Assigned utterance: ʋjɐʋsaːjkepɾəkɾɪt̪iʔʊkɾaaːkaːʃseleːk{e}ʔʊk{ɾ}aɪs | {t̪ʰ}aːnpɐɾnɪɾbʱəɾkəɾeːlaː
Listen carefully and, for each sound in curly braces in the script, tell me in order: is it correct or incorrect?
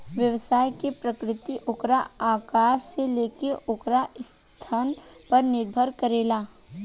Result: correct, correct, correct

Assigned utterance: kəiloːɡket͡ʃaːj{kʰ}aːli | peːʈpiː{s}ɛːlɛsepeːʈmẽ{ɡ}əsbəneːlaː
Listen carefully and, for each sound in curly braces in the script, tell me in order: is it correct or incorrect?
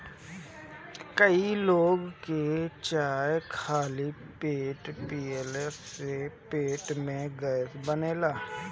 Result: correct, incorrect: none, correct

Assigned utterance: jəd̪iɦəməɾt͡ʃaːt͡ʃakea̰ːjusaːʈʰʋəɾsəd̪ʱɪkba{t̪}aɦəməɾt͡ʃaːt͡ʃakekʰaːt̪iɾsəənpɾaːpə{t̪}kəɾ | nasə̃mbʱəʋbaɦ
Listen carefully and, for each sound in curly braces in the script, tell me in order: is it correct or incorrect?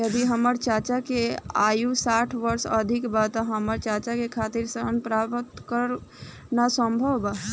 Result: correct, correct

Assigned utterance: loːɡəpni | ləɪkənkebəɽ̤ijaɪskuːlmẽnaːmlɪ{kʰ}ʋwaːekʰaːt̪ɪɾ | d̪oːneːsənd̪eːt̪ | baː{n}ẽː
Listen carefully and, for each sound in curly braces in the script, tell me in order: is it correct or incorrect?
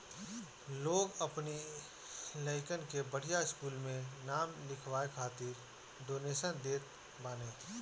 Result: correct, correct

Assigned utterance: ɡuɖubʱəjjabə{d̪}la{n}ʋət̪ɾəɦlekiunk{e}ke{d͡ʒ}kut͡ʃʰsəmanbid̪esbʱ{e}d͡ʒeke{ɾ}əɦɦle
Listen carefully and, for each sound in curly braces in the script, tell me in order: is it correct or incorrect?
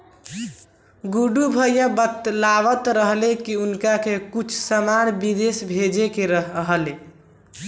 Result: incorrect: t̪, incorrect: none, incorrect: a, incorrect: none, correct, correct

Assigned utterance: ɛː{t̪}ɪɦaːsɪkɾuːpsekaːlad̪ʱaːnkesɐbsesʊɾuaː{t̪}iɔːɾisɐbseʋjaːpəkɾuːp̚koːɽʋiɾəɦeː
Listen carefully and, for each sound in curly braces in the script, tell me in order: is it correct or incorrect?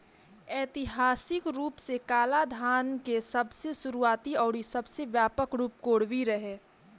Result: correct, correct

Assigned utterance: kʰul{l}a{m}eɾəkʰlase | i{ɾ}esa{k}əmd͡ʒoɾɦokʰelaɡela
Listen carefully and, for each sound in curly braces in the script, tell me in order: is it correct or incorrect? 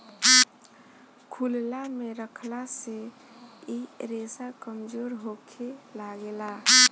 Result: correct, correct, correct, correct

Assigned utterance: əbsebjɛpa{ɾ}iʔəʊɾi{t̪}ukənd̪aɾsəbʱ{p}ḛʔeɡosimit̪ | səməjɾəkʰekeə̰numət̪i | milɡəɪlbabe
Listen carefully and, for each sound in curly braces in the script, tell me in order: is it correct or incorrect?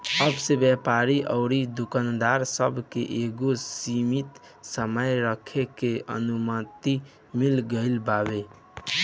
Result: correct, incorrect: d̪, incorrect: k

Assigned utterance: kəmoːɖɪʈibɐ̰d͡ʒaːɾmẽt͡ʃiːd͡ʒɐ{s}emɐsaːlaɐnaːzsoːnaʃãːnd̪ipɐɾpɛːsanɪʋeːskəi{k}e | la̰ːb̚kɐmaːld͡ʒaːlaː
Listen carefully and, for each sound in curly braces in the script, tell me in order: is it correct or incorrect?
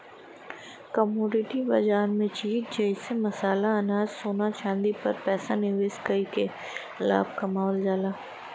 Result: correct, correct

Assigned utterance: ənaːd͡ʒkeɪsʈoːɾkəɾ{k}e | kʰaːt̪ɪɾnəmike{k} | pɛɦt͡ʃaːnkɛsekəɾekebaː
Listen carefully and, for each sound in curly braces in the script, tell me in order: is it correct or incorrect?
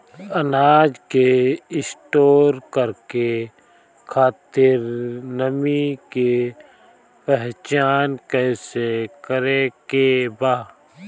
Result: correct, incorrect: none

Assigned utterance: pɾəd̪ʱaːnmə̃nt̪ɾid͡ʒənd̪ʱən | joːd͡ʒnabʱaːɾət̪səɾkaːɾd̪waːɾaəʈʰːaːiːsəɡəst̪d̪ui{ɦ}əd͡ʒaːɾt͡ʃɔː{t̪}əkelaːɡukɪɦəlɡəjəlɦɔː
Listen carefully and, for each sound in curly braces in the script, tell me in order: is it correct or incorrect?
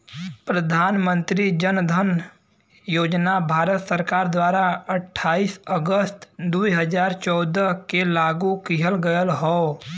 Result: correct, incorrect: d̪

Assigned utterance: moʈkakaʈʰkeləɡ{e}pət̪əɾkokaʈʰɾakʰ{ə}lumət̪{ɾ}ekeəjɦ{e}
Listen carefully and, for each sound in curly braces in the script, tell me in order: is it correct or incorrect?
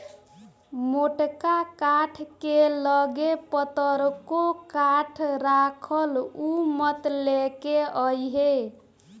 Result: correct, correct, incorrect: l, correct

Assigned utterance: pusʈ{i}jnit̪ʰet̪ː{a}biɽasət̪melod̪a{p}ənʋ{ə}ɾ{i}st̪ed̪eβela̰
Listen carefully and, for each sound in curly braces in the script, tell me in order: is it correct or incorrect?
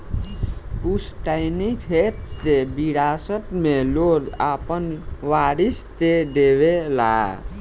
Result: incorrect: a, incorrect: e, correct, incorrect: a, correct

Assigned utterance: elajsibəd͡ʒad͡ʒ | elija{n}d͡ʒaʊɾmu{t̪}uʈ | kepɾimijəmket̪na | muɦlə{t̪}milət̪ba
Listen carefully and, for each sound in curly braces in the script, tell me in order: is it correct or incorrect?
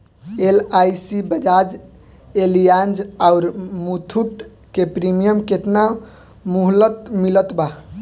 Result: correct, incorrect: t̪ʰ, correct

